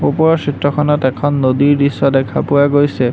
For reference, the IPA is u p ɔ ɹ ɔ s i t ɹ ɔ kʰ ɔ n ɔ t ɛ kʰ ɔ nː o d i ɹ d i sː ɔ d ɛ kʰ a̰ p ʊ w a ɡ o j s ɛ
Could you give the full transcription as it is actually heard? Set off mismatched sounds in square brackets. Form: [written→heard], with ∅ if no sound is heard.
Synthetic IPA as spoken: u p ɔ ɹ ɔ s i t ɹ ɔ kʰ ɔ n ɔ t ɛ kʰ ɔ nː o d i ɹ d i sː ɔ d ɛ kʰ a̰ p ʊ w a ɡ o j s ɛ